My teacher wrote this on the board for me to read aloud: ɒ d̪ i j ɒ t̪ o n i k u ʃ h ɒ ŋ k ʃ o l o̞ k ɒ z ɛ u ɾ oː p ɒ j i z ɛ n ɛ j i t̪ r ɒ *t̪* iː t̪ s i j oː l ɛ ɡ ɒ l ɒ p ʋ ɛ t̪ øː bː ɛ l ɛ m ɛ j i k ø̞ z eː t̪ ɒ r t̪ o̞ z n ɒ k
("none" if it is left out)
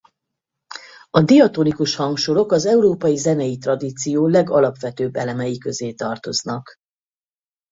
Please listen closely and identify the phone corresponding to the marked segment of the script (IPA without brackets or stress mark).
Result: d̪